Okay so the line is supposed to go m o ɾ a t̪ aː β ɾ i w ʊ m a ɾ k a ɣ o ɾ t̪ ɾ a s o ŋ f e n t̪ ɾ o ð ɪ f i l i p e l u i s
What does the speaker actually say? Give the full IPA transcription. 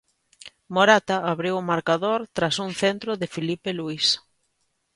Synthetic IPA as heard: m o ɾ a t̪ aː β ɾ i w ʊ m a ɾ k a ð o ɾ t̪ ɾ a s u ŋ θ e n t̪ ɾ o ð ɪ f i l i p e l u i s